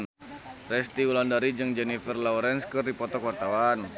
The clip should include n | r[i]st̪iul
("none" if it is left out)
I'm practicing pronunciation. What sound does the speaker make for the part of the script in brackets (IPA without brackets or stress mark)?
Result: ɛ